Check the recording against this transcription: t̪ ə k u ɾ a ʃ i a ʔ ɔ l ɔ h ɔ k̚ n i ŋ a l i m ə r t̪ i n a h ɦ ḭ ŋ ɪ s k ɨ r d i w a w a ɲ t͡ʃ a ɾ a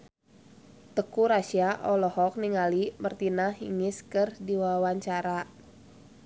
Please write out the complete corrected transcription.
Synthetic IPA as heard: t̪ ə k u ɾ a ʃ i a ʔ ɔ l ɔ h ɔ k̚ n i ŋ a l i m ə r t̪ i n a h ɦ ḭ ŋ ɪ s k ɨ r d i w a w a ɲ t͡ʃ a ɾ a